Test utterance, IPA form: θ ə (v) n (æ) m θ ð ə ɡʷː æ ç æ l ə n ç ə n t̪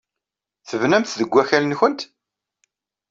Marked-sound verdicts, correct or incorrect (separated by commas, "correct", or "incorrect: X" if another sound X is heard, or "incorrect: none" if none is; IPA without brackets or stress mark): correct, correct